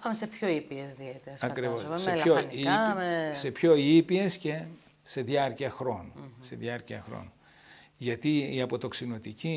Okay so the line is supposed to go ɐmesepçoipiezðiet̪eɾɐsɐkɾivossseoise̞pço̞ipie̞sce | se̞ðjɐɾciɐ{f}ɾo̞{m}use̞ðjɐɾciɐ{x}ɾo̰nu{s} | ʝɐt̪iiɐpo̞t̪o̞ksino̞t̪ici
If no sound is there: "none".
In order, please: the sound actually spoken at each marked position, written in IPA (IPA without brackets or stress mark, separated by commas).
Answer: x, n, x, none